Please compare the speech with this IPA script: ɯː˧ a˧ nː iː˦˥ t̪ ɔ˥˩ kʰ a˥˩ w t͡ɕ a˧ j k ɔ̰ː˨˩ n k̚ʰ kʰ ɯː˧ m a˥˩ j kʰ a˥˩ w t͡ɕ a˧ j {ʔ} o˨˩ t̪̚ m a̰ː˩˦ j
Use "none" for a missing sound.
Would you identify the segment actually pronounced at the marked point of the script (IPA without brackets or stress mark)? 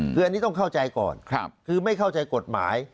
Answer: k